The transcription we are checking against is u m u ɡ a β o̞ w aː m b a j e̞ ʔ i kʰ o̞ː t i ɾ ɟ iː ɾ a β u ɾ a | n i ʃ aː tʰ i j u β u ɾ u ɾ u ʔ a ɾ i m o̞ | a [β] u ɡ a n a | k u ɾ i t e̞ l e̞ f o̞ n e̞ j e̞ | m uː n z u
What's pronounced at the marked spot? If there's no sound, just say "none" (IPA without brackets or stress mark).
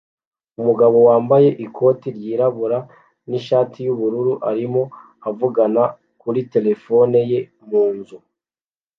v